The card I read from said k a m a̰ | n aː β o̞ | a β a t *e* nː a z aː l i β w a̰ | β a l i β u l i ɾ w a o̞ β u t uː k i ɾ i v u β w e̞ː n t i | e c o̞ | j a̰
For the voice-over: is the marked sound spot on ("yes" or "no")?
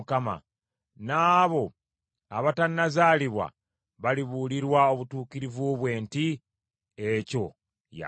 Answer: no